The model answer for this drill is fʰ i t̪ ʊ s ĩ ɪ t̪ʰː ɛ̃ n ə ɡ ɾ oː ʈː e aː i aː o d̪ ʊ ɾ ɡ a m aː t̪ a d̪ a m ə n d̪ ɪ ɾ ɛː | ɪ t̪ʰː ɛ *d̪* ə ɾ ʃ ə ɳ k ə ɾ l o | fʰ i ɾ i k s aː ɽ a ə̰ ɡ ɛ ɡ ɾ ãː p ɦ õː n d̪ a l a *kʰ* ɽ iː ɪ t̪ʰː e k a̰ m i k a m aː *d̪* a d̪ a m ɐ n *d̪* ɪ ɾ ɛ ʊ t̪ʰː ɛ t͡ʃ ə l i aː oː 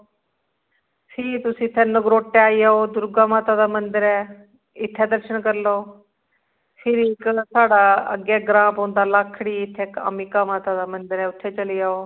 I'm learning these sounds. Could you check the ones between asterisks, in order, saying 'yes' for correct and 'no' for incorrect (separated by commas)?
yes, yes, no, yes